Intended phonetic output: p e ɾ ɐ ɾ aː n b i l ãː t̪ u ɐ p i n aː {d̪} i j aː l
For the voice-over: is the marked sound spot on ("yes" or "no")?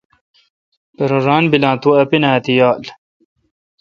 no